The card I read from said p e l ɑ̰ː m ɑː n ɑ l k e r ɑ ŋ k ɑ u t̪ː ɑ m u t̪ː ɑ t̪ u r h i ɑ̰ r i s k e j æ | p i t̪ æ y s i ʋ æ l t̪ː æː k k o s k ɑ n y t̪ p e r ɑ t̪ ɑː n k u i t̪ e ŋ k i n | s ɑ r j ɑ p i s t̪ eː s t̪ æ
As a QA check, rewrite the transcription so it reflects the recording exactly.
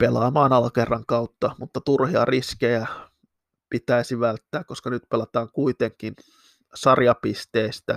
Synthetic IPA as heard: p e l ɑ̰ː m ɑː n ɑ l k e r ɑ ŋ k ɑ u t̪ː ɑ m u t̪ː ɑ t̪ u r h i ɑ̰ r i s k e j æ | p i t̪ æ i s i ʋ æ l t̪ː æː k k o s k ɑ n y t̪ p e l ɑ t̪ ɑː ŋ k u i t̪ e ŋ k i n | s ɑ r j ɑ p i s t̪ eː s t̪ æ